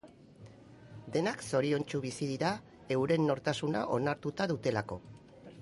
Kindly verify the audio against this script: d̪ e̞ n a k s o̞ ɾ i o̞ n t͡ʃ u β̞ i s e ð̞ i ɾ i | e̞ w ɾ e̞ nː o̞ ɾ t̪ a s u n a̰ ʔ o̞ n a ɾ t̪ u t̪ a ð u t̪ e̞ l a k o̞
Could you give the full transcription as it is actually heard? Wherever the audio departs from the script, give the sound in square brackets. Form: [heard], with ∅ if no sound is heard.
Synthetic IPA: d̪ e̞ n a k s o̞ ɾ i o̞ n t͡ʃ u β̞ i s [i] ð̞ i ɾ [a] | e̞ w ɾ e̞ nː o̞ ɾ t̪ a s u n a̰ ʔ o̞ n a ɾ t̪ u t̪ a ð u t̪ e̞ l a k o̞